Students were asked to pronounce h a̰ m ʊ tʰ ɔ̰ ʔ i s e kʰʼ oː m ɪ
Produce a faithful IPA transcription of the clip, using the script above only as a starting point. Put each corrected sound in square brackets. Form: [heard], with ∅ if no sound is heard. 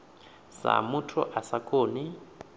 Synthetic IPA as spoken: [s] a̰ m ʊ tʰ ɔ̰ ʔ [a] s [a] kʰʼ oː [n] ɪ